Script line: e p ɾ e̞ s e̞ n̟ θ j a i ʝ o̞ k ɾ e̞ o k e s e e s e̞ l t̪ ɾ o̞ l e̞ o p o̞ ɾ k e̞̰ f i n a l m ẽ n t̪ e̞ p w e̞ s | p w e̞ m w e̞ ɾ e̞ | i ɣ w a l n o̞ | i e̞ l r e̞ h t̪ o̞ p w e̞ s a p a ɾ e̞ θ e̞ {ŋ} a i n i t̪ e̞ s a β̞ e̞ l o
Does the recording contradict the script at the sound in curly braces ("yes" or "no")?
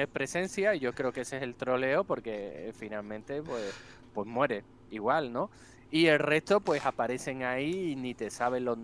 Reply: no